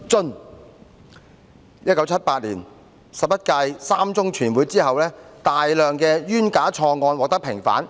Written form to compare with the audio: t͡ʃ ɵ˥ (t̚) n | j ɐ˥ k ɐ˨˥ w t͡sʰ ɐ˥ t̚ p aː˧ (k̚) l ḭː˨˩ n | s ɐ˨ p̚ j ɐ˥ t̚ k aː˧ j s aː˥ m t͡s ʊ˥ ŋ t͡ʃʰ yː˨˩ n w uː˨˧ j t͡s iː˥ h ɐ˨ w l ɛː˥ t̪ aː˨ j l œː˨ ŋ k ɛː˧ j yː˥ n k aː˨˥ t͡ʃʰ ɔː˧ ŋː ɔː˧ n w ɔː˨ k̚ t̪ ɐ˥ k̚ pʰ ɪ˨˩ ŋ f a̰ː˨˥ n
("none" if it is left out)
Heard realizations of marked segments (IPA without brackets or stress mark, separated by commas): none, t̚